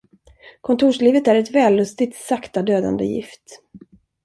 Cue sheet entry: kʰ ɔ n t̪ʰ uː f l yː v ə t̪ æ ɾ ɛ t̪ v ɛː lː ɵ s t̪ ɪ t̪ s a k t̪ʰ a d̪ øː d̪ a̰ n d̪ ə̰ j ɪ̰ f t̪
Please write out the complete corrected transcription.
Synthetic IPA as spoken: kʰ ɔ n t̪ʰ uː ʂ l iː v ə t̪ æ ɾ ɛ t̪ v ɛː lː ɵ s t̪ ɪ t̪ s a k t̪ a d̪ øː d̪ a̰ n d̪ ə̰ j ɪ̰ f t̪